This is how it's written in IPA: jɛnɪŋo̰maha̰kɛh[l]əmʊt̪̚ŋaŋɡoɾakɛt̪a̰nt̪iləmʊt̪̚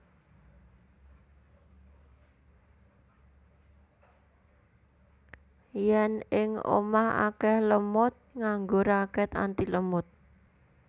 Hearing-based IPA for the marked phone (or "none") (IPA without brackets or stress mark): l